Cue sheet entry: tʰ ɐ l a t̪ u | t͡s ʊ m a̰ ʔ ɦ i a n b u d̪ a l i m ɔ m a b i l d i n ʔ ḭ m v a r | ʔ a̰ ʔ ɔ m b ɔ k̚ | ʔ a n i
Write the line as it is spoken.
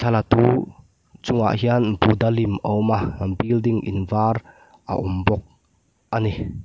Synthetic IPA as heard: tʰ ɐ l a t̪ u | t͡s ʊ ŋ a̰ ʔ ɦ i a n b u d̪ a l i m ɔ m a b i l d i ŋ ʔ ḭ n v a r | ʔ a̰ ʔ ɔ m b ɔ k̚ | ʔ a n i